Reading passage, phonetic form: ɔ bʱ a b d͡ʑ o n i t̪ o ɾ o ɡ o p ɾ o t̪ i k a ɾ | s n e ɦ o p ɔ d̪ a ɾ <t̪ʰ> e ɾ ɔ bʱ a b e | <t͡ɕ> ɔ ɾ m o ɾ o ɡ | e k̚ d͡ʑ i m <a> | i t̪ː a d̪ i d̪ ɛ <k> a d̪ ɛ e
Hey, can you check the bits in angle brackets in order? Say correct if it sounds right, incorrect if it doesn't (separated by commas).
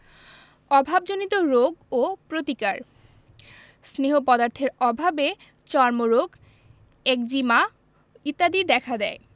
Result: correct, correct, correct, incorrect